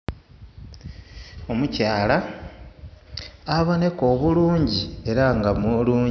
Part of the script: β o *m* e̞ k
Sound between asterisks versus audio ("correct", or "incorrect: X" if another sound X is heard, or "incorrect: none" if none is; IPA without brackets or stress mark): incorrect: n